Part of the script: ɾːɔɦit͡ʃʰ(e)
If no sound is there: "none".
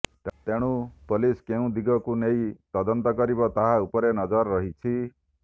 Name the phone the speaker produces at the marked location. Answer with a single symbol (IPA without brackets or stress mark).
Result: i